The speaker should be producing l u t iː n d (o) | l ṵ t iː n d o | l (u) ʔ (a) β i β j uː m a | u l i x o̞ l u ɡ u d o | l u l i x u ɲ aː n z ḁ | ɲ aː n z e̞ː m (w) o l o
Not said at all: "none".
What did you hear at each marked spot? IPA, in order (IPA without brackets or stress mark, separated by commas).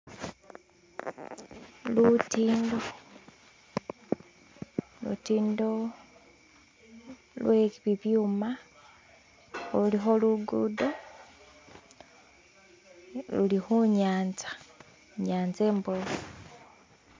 o, w, e, b